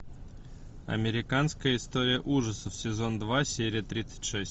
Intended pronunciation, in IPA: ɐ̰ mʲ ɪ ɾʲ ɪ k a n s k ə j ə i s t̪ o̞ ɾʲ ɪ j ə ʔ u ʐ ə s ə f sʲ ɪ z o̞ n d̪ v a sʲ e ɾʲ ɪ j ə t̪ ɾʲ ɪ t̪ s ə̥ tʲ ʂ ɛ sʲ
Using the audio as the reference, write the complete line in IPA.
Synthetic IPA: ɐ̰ mʲ ɪ ɾʲ ɪ k a n s k ə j ə ɪ s t̪ o̞ ɾʲ ɪ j ə ʔ u ʐ ə s ə f sʲ ɪ z o̞ n d̪ v a sʲ e ɾʲ ɪ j ə t̪ ɾʲ i t̪ s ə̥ tʲ ʂ ɛ sʲ